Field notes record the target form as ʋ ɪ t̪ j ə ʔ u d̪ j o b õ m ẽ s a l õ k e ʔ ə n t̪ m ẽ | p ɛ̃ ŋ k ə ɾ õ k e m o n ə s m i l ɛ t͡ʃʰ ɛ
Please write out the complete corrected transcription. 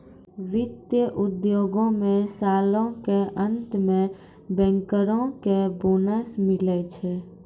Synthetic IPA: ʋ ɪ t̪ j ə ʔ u d̪ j o ɡ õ m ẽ s a l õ k e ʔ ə n t̪ m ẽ | b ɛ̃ ŋ k ə ɾ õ k e b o n ə s m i l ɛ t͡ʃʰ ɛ

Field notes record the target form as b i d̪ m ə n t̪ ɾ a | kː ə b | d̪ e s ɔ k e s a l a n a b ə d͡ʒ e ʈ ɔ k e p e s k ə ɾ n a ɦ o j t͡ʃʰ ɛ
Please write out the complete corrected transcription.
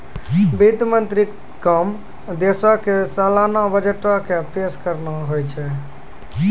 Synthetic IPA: b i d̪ m ə n t̪ ɾ i | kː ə m | d̪ e s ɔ k e s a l a n a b ə d͡ʒ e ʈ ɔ k e p e s k ə ɾ n a ɦ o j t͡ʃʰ ɛ

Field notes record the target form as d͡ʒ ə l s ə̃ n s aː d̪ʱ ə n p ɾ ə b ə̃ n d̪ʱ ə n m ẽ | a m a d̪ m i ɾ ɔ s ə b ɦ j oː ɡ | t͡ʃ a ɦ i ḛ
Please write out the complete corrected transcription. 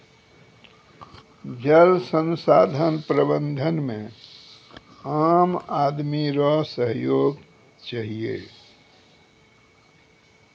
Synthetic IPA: d͡ʒ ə l s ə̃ n s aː d̪ʱ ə n p ɾ ə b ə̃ n d̪ʱ ə n m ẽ | a m a d̪ m i ɾ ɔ s ə ɦ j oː ɡ | t͡ʃ a ɦ i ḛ

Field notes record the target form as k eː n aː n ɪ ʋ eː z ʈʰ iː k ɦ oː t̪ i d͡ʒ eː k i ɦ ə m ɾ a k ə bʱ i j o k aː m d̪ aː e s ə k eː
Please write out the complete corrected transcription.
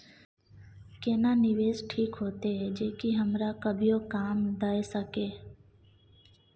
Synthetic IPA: k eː n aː n ɪ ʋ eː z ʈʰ iː k ɦ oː t̪ e d͡ʒ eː k i ɦ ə m ɾ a k ə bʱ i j o k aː m d̪ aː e s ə k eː

